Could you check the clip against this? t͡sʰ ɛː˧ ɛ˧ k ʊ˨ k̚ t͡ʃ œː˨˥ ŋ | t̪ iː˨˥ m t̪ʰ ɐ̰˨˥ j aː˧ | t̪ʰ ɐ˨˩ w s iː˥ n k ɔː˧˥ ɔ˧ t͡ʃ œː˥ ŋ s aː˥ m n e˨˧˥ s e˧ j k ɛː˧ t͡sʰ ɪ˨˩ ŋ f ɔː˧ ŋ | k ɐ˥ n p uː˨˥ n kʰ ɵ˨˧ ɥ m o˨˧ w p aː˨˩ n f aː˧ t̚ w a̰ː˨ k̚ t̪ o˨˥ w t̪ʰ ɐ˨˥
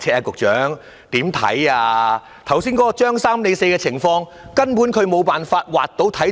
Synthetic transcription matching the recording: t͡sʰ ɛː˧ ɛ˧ k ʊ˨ k̚ t͡ʃ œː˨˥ ŋ | t̪ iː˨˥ m t̪ʰ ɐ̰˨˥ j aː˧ | t̪ʰ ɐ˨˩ w s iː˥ n k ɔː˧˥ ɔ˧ t͡ʃ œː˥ ŋ s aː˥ m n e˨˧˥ s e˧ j k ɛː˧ t͡sʰ ɪ˨˩ ŋ f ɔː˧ ŋ | k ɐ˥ n p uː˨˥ n kʰ ɵ˨˧ ɥ m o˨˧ w p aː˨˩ n f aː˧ t̚ w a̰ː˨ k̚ t̪ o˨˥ w t̪ʰ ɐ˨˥

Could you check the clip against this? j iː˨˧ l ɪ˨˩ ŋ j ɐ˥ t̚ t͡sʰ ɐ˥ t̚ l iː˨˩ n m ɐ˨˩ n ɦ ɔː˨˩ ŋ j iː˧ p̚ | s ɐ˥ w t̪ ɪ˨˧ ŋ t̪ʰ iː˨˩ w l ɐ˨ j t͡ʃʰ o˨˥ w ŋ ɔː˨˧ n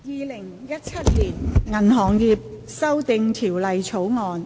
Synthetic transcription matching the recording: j iː˨˧ l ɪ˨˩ ŋ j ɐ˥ t̚ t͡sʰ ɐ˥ t̚ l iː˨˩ n ŋ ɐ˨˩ n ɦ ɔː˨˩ ŋ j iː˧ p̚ | s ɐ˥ w t̪ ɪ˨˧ ŋ t̪ʰ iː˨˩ w l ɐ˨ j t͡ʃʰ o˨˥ w ŋ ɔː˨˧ n

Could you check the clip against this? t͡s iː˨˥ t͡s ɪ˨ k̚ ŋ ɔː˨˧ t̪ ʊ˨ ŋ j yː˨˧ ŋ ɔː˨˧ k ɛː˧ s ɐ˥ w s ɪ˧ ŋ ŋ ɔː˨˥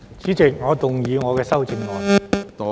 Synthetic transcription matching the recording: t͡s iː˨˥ t͡s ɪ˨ k̚ ŋ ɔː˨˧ t̪ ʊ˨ ŋ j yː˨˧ ŋ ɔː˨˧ k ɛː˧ s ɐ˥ w t͡s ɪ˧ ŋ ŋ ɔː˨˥

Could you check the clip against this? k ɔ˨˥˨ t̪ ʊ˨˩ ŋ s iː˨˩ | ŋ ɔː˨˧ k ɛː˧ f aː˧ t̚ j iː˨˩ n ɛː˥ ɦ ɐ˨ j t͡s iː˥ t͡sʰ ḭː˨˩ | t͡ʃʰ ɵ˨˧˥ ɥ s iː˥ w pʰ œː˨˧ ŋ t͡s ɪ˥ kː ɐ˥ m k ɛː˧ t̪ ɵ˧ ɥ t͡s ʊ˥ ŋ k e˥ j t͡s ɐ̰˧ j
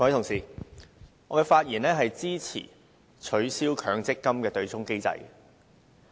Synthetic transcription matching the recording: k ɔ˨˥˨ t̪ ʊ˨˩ ŋ s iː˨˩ | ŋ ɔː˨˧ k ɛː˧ f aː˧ t̚ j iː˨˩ n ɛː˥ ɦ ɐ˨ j t͡s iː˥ t͡sʰ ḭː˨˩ | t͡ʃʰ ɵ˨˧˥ ɥ s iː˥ w kʰ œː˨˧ ŋ t͡s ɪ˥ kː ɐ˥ m k ɛː˧ t̪ ɵ˧ ɥ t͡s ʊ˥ ŋ k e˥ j t͡s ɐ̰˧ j

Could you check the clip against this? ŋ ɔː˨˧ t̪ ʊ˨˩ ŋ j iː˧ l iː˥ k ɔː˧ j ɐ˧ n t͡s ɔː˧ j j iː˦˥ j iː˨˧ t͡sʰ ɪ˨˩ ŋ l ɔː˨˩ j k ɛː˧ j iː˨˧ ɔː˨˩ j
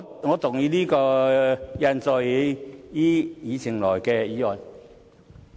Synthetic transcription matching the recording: ŋ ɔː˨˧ t̪ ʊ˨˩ ŋ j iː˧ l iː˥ k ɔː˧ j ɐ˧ n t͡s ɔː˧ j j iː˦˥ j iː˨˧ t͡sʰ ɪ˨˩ ŋ l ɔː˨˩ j k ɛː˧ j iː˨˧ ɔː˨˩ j

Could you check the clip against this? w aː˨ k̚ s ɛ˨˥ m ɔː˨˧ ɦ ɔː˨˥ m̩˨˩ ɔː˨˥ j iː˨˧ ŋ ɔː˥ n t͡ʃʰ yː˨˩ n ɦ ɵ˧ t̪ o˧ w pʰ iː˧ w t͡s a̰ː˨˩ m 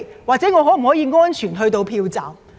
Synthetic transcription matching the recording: w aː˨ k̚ t͡s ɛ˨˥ ŋ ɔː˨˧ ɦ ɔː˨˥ m̩˨˩ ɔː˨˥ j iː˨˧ ŋ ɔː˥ n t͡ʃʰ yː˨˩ n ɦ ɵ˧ t̪ o˧ w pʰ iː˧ w t͡s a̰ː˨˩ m

